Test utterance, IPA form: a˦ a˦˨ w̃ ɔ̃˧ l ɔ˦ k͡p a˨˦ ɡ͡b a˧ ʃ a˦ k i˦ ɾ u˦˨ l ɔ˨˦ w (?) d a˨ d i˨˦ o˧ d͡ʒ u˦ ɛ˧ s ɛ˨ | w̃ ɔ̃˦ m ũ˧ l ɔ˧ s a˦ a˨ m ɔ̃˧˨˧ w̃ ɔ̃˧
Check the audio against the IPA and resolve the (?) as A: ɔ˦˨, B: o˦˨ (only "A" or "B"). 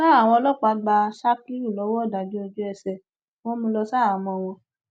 A